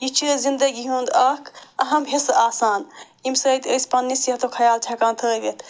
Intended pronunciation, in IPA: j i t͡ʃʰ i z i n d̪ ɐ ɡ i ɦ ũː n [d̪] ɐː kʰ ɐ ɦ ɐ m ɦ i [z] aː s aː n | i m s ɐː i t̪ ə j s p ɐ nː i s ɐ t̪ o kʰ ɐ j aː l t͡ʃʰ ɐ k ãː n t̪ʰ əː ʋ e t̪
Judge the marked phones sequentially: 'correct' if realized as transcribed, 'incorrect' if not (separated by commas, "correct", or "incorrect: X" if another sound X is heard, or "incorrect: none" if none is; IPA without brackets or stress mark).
correct, incorrect: s